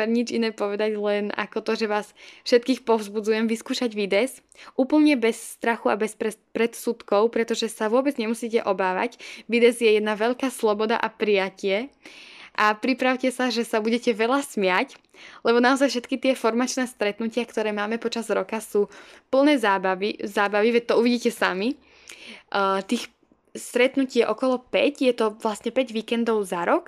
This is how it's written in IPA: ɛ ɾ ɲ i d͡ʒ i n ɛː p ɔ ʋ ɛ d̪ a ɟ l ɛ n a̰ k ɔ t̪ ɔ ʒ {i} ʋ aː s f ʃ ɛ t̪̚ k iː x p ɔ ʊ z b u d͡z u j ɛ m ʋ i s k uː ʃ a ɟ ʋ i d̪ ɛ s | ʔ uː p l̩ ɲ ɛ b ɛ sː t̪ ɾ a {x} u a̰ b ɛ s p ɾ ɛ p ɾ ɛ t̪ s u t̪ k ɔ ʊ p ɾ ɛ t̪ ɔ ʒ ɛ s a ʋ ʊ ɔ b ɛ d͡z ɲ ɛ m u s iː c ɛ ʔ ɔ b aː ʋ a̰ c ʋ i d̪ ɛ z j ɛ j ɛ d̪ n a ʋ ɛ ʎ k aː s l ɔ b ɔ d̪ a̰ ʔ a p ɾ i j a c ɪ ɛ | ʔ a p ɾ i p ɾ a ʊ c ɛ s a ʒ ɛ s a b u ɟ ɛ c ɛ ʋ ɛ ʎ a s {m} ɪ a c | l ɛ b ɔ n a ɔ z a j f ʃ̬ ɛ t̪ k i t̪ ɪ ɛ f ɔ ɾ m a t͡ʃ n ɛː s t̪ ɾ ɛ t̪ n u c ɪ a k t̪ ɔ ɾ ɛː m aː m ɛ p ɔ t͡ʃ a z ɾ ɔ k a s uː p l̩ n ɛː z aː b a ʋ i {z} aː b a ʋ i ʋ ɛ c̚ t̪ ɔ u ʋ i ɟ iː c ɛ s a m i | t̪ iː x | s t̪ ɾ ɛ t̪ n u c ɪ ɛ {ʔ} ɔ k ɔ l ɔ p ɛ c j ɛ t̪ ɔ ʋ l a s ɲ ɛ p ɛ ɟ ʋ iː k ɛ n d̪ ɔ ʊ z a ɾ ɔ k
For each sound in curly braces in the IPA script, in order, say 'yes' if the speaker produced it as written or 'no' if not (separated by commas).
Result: no, yes, yes, yes, yes